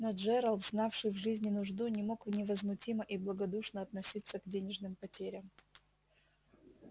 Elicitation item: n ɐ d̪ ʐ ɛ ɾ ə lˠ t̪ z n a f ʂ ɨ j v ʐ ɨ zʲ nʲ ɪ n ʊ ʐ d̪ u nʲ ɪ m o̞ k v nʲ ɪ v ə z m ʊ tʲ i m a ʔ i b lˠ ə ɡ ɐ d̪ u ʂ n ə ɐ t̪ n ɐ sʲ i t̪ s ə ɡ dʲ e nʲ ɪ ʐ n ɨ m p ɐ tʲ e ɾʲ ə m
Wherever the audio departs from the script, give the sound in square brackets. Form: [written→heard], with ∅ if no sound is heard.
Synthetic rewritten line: n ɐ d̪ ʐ ɛ ɾ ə lˠ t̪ z n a f ʂ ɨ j v ʐ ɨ zʲ nʲ ɪ n ʊ ʐ d̪ u nʲ ɪ m o̞ k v nʲ ɪ v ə z m ʊ tʲ i m [a→ə] ʔ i b lˠ ə ɡ ɐ d̪ u ʂ n ə ɐ t̪ n ɐ sʲ i t̪ s ə ɡ dʲ e nʲ ɪ ʐ n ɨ m p ɐ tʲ e ɾʲ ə m